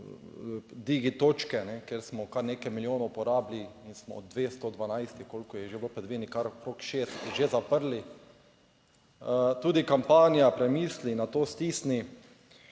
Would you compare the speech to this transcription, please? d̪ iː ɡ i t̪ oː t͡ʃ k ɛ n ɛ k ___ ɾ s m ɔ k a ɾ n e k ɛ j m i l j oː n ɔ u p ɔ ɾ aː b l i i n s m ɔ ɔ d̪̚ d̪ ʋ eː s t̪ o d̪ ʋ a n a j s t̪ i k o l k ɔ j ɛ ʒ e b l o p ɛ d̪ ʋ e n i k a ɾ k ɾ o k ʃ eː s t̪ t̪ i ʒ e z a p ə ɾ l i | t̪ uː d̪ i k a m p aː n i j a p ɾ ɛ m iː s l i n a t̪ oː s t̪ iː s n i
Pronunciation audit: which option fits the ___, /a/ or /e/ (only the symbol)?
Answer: e